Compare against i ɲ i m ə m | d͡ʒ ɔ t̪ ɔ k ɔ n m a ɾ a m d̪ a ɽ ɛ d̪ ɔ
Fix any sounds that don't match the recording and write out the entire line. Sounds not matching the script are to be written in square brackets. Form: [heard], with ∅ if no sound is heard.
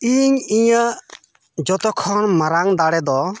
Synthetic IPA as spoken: i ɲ i [ɲ] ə [∅] | d͡ʒ ɔ t̪ ɔ [kʰ] ɔ n m a ɾ a [ŋ] d̪ a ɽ ɛ d̪ ɔ

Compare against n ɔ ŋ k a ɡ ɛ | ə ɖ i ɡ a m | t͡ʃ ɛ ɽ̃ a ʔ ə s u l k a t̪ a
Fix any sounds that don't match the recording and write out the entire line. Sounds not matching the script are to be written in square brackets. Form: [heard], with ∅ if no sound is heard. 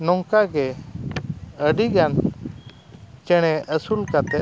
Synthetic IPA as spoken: n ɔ ŋ k a ɡ ɛ | ə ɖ i ɡ a [n] | t͡ʃ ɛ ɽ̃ [ɛ] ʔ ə s u l k a t̪ [ɛ]

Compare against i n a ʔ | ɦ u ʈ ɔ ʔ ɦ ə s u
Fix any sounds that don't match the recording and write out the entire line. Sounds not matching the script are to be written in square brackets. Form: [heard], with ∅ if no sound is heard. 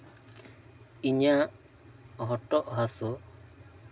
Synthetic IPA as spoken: i [ɲ] a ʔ | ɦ [ɔ] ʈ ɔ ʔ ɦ [a] s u

